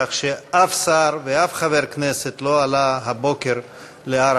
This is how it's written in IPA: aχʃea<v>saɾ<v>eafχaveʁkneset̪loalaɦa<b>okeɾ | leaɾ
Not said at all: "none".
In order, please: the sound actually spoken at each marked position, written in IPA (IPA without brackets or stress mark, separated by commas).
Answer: f, v, b